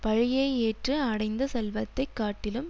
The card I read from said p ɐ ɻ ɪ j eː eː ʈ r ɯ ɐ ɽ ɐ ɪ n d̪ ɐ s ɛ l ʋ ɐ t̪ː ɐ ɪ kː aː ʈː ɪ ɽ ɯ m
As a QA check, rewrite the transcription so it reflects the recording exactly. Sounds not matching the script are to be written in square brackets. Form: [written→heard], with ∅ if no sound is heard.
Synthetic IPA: p ɐ ɻ ɪ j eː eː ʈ r ɯ ɐ ɽ ɐ ɪ n d̪ ɐ s ɛ l ʋ ɐ t̪ː ɐ ɪ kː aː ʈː ɪ [ɽ→l] ɯ m